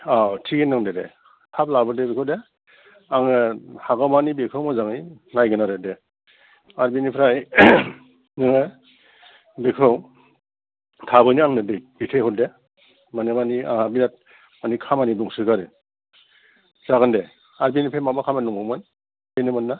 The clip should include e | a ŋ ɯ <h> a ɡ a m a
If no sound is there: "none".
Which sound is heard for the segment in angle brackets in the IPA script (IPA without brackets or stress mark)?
h